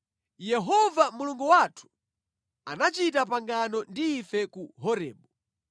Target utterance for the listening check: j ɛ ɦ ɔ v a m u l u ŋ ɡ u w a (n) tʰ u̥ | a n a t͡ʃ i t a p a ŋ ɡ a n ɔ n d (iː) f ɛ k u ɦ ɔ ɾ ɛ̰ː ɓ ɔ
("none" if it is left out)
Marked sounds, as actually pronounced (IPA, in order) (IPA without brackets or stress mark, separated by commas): none, iː